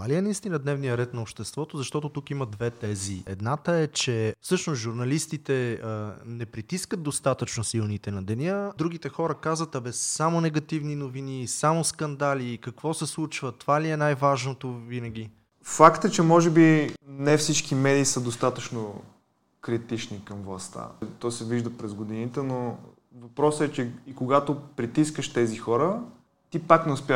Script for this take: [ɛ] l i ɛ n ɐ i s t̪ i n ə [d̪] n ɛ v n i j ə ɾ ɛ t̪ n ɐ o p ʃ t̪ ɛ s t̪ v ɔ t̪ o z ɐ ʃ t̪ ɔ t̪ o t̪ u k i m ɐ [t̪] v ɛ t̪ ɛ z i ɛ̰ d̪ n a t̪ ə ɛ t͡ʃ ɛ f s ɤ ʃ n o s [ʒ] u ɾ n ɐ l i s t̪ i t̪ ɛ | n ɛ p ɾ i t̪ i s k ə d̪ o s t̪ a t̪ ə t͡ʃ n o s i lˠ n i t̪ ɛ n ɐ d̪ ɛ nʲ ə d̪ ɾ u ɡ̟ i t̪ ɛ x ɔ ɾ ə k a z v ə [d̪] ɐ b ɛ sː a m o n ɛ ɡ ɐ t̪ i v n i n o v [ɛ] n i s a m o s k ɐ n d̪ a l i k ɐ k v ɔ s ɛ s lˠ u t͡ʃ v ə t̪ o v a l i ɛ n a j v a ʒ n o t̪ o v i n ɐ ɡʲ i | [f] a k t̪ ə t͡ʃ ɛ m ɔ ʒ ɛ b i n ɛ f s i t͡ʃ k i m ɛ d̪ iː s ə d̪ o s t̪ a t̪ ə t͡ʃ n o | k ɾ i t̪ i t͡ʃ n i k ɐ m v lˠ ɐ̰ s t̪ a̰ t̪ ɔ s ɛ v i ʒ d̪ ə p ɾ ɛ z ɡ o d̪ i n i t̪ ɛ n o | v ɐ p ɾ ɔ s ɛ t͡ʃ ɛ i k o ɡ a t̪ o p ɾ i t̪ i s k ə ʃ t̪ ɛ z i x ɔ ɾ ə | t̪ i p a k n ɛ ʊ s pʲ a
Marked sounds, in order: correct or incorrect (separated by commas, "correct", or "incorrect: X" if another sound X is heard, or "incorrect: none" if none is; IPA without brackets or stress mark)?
incorrect: a, correct, incorrect: d̪, correct, incorrect: t̪, incorrect: i, correct